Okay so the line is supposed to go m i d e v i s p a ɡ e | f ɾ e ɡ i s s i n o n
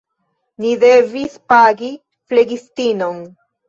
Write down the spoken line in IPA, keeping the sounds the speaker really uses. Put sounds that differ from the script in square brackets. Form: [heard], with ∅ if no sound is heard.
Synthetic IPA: [n] i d e v i s p a ɡ [i] | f [l] e ɡ i s [t] i n o n